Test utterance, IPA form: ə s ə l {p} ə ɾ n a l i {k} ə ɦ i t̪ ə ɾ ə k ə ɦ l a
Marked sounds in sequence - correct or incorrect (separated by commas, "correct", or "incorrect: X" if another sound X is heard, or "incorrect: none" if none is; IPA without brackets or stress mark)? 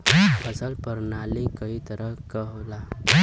correct, correct